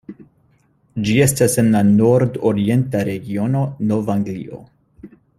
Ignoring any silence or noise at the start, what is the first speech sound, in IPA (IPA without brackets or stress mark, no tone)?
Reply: d͡ʒ